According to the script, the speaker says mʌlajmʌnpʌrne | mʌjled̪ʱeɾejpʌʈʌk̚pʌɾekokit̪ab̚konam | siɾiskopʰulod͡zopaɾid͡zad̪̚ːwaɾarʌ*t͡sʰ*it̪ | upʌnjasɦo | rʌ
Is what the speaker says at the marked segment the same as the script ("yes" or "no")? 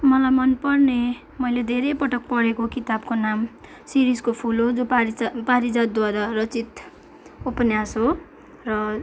no